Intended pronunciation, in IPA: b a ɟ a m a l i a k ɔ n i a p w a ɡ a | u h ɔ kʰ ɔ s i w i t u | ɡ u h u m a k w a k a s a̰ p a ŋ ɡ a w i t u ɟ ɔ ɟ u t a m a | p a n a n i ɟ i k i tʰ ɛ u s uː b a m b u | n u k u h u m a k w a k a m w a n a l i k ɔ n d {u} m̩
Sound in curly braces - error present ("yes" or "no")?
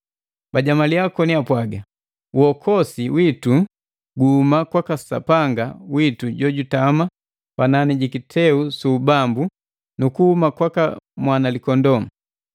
yes